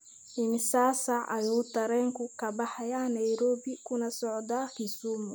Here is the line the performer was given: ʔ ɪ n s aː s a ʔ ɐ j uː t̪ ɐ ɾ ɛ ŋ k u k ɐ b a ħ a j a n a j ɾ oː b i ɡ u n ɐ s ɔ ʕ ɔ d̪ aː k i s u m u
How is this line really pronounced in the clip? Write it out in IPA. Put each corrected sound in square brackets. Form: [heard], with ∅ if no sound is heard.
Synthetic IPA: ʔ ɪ n s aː s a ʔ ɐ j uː t̪ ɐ ɾ ɛ ŋ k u k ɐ b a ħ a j a n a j ɾ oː b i [k] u n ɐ s ɔ ʕ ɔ d̪ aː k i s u m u